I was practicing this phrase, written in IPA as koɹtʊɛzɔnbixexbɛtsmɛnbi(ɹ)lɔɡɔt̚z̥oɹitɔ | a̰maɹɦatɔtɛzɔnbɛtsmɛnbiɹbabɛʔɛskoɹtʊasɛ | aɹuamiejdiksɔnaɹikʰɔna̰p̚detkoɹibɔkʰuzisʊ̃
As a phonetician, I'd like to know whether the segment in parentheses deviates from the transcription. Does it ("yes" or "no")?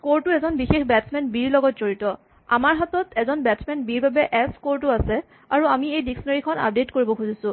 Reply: no